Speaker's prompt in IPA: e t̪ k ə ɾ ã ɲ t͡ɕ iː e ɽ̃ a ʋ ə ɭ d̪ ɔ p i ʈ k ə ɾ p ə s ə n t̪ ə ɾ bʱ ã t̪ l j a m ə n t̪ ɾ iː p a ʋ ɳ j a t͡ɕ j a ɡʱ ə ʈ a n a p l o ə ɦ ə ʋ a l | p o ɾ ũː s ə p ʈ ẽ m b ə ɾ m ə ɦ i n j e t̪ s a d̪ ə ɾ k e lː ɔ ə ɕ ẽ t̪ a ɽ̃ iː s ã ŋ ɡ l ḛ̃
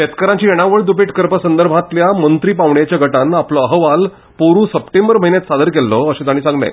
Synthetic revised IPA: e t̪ k ə ɾ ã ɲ t͡ɕ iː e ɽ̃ a ʋ ə ɭ d̪ u p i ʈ k ə ɾ p ə s ə n d̪ ə ɾ bʱ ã t̪ l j a m ə n t̪ ɾ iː p a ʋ ɳ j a t͡ɕ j a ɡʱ ə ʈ a n a p l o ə ɦ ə ʋ a l | p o ɾ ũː s ə p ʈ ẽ m b ə ɾ m ə ɦ i n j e t̪ s a d̪ ə ɾ k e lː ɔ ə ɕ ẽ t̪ a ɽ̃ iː s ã ŋ ɡ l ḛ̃

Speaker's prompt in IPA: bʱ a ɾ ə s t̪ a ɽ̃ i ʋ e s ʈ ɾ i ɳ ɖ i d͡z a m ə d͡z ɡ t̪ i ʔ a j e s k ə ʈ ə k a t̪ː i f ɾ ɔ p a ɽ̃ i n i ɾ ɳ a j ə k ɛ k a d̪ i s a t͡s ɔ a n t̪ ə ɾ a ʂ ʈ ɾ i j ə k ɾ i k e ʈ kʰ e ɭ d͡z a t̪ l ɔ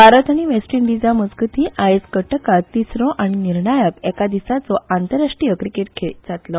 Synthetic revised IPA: bʱ a ɾ ə t̪ a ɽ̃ i ʋ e s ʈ ɾ i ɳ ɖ i d͡z a m ə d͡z ɡ t̪ i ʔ a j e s k ə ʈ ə k a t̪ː i s ɾ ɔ ʔ a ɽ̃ i n i ɾ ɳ a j ə k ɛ k a d̪ i s a t͡s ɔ a n t̪ ə ɾ a ʂ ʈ ɾ i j ə k ɾ i k e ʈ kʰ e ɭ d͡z a t̪ l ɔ

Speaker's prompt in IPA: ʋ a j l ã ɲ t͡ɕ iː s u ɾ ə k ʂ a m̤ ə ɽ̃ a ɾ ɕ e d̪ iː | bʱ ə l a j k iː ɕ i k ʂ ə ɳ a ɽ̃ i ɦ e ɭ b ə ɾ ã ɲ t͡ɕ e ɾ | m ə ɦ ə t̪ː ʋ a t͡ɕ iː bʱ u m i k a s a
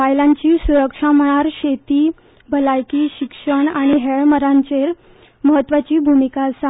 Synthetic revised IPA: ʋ a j l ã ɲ t͡ɕ iː s u ɾ ə k ʂ a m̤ ə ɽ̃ a ɾ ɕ e t̪ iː | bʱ ə l a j k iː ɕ i k ʂ ə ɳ a ɽ̃ i ɦ e ɭ m ə ɾ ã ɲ t͡ɕ e ɾ | m ə ɦ ə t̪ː ʋ a t͡ɕ iː bʱ u m i k a s a

